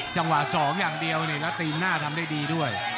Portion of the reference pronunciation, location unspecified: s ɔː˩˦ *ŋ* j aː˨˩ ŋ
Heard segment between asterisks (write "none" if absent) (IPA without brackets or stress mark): ŋ